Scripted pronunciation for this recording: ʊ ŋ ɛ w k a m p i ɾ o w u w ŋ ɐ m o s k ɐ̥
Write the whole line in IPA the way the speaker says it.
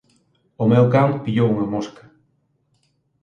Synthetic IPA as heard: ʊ m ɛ w k a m p i ʎ o w u ŋ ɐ m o s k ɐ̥